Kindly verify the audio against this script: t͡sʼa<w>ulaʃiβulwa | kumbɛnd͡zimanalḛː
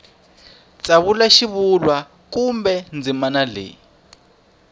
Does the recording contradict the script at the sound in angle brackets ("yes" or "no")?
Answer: yes